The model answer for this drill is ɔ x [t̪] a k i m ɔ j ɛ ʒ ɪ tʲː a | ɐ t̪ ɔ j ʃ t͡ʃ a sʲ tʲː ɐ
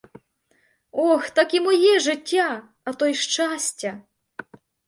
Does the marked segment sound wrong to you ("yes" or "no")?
no